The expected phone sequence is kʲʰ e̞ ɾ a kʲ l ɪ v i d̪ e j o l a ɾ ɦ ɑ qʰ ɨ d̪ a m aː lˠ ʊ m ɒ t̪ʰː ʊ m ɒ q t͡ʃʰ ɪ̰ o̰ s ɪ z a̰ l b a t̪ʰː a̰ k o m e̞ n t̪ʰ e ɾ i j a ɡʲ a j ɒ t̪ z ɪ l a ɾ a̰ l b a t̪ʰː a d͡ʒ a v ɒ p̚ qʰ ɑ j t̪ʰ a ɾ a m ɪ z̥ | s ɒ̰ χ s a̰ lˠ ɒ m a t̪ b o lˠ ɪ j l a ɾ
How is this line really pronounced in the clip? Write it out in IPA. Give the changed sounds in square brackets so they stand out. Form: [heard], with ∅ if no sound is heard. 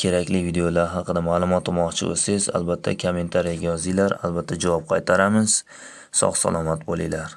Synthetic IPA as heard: kʲʰ e̞ ɾ a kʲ l ɪ v i d̪ e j o l a ɾ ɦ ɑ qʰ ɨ d̪ a m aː lˠ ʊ m ɒ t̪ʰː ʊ m ɒ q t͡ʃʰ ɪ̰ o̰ s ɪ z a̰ l b a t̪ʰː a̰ [kʰ] o m e̞ n t̪ʰ [a] ɾ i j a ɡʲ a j ɒ [∅] z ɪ l a ɾ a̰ l b a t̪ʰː a d͡ʒ a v ɒ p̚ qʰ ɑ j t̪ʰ a ɾ a m ɪ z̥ | s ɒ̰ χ s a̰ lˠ ɒ m a t̪ b o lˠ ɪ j l a ɾ

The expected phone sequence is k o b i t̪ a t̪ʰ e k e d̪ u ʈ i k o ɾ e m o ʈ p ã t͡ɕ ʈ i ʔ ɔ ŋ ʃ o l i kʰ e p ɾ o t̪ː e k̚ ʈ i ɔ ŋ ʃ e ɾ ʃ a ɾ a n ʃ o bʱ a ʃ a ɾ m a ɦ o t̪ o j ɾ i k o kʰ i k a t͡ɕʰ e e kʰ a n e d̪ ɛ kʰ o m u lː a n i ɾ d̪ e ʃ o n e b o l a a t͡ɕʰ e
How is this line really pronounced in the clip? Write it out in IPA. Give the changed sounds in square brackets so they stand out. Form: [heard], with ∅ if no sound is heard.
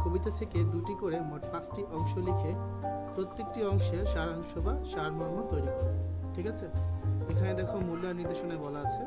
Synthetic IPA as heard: k o b i t̪ a t̪ʰ e k e d̪ u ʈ i k o ɾ e m o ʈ p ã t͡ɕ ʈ i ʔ ɔ ŋ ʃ o l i kʰ e p ɾ o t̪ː e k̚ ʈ i ɔ ŋ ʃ e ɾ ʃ a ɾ a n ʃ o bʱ a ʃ a ɾ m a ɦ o t̪ o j ɾ i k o [ʈʰ] i k a t͡ɕʰ e e kʰ a n e d̪ ɛ kʰ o m u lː a n i ɾ d̪ e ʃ o n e b [ɔ] l a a t͡ɕʰ e

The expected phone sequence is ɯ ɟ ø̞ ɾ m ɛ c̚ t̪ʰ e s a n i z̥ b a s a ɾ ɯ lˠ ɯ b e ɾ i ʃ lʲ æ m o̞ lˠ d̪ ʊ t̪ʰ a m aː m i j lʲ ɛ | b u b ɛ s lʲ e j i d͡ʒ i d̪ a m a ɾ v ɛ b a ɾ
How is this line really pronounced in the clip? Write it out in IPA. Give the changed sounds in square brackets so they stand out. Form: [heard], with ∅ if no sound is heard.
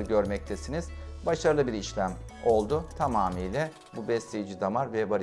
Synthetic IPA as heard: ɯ ɟ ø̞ ɾ m ɛ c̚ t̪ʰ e s [i] n i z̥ b a [ʃ] a ɾ ɯ lˠ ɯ b [i] ɾ i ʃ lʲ æ m o̞ lˠ d̪ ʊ t̪ʰ a m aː m i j lʲ ɛ | b u b ɛ s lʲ e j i d͡ʒ i d̪ a m a ɾ v ɛ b a ɾ

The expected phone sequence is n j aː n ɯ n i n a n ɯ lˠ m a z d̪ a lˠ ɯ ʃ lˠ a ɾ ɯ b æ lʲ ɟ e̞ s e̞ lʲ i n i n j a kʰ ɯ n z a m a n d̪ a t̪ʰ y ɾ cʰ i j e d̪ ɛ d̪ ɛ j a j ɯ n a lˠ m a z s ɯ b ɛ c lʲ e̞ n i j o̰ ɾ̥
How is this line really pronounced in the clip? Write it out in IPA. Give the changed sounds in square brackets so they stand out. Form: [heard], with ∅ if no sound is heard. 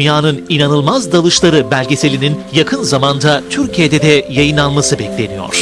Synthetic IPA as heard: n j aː n ɯ n i n a n ɯ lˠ m a z d̪ a lˠ ɯ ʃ lˠ a ɾ ɯ b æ lʲ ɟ e̞ s e̞ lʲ i n i n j a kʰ ɯ n z a m a n d̪ a t̪ʰ y ɾ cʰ i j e d̪ ɛ d̪ ɛ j a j ɯ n a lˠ m a [∅] s ɯ b ɛ c lʲ e̞ n i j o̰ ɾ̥

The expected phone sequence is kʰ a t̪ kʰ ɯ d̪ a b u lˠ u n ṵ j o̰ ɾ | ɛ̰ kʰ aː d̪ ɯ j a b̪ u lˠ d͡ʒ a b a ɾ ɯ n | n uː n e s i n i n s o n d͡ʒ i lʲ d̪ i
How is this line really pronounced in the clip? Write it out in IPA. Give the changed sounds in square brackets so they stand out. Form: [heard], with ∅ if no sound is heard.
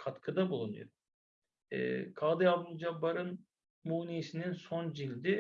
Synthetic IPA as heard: kʰ a t̪ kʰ ɯ d̪ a b u lˠ u n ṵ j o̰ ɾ | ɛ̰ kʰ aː d̪ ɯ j a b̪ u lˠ d͡ʒ a b a ɾ ɯ n | [m] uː n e s i n i n s o n d͡ʒ i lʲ d̪ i

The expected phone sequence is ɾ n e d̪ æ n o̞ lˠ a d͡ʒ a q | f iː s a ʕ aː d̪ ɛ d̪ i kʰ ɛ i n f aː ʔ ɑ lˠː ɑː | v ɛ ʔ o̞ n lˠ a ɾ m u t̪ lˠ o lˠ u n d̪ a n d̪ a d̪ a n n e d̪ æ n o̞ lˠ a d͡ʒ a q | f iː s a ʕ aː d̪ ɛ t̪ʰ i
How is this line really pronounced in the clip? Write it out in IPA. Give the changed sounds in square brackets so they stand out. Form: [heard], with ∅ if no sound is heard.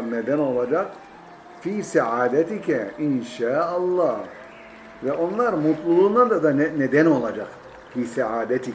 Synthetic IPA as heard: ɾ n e d̪ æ n o̞ lˠ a d͡ʒ a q | f iː s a ʕ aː d̪ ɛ [t̪] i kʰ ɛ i n [ʃ] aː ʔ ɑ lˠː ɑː | v ɛ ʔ o̞ n lˠ a ɾ m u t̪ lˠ [u] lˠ u n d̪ a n d̪ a d̪ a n n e d̪ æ n o̞ lˠ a d͡ʒ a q | f iː s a ʕ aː d̪ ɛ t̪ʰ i

